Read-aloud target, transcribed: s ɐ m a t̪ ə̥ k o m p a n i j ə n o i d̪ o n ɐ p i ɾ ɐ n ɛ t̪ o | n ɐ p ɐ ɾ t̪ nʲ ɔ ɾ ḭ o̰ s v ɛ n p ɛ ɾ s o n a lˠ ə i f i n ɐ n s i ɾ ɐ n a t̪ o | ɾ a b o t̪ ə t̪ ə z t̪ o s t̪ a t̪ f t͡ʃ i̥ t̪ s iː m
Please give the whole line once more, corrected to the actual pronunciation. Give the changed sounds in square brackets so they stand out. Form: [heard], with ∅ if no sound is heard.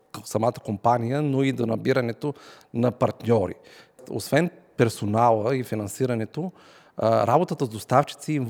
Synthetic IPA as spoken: s ɐ m a t̪ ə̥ k o m p a n i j ə n o i d̪ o n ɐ [b] i ɾ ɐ n ɛ t̪ o | n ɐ p ɐ ɾ t̪ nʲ ɔ ɾ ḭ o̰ s v ɛ n p ɛ ɾ s o n a lˠ ə i f i n ɐ n s i ɾ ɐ n [ɛ] t̪ o | ɾ a b o t̪ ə t̪ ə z [d̪] o s t̪ a [∅] f t͡ʃ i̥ t̪ s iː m